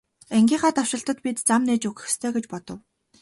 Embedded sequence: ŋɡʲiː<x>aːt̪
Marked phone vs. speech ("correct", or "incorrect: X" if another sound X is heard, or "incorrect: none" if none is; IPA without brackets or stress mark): incorrect: χ